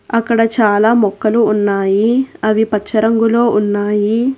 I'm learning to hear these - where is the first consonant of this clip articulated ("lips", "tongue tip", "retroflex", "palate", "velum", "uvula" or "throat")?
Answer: velum